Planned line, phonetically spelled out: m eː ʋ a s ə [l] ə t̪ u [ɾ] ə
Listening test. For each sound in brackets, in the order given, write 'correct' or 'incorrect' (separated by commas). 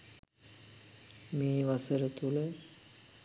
incorrect, incorrect